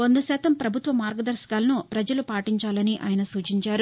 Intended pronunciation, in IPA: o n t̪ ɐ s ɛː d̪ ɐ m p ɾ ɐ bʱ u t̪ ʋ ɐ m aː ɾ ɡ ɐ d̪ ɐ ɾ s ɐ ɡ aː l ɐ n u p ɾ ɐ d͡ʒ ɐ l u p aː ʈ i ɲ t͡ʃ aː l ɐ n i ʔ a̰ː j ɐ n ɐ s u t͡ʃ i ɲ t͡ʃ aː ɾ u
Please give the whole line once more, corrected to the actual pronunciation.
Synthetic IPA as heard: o n d̪ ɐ s ɛː t̪ ɐ m p ɾ ɐ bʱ u t̪ ʋ ɐ m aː ɾ ɡ ɐ d̪ ɐ ɾ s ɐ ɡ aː l ɐ n u p ɾ ɐ d͡ʒ ɐ l u p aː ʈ i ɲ t͡ʃ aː l ɐ n i ʔ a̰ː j ɐ n ɐ s uː t͡ʃ i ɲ t͡ʃ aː ɾ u